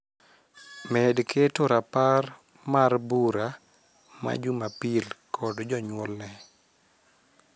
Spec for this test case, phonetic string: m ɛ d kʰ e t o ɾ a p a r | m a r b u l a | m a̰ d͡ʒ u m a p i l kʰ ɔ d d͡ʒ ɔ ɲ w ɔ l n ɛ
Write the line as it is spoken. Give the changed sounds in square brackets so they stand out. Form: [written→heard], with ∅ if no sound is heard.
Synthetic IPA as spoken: m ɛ d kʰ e t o ɾ a p a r | m a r b u [l→ɾ] a | m a̰ d͡ʒ u m a p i l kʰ ɔ d d͡ʒ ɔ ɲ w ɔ l n ɛ